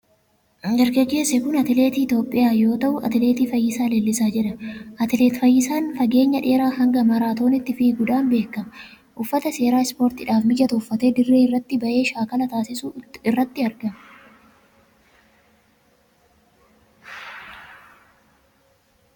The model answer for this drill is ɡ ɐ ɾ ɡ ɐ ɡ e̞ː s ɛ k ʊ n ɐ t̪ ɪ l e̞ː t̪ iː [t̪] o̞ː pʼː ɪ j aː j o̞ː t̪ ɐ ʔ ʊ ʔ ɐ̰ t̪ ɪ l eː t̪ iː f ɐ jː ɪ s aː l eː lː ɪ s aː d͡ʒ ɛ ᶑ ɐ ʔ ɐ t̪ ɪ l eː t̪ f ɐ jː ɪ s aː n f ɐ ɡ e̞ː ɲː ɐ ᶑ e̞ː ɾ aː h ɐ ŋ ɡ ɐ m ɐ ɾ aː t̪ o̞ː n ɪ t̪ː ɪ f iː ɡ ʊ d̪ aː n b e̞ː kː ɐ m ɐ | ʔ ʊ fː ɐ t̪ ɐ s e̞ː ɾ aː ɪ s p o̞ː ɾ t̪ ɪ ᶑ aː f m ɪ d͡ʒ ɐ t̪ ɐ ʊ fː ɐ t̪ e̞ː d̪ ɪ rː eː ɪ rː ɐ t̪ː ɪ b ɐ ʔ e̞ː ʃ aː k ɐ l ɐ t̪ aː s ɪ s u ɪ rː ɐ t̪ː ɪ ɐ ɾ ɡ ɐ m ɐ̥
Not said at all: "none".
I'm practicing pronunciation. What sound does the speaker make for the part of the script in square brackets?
t̪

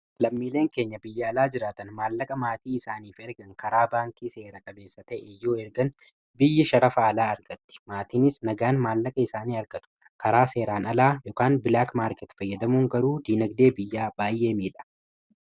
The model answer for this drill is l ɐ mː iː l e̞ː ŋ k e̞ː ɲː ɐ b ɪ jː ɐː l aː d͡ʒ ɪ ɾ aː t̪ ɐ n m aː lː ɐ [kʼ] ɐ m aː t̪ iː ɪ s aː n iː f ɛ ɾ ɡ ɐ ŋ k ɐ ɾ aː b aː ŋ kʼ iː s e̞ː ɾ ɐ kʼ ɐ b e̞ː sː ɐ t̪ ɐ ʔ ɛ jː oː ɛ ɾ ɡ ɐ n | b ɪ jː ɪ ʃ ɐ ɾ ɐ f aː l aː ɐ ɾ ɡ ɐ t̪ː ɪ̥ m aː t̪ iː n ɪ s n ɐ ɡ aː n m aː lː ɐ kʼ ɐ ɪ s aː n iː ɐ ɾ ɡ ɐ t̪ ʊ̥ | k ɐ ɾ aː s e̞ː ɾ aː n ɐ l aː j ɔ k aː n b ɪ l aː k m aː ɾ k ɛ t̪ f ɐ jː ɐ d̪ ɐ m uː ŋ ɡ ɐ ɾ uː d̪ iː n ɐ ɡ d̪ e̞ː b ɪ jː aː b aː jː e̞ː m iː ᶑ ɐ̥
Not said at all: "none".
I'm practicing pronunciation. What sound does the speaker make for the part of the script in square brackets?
kʼ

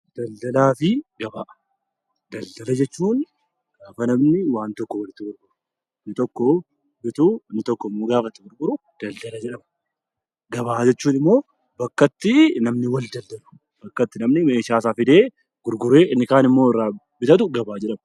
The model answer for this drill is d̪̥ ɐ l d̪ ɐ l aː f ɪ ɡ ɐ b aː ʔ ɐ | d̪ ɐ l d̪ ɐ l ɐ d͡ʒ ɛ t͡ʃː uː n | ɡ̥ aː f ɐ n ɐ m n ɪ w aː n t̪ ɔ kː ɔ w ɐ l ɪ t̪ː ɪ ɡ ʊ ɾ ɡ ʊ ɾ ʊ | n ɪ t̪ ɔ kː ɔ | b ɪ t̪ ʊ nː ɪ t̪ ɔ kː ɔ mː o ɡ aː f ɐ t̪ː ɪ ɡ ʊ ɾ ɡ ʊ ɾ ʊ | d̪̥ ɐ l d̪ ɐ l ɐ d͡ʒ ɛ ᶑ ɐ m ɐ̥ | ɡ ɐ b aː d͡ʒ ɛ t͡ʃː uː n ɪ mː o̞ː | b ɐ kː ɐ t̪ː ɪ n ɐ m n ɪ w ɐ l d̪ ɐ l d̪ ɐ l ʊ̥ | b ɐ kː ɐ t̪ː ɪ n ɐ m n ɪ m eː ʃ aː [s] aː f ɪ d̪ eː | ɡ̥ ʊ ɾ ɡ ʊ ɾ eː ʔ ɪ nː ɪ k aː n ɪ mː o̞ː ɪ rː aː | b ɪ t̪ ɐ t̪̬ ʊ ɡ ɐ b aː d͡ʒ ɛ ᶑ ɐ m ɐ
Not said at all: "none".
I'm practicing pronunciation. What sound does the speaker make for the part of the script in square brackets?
s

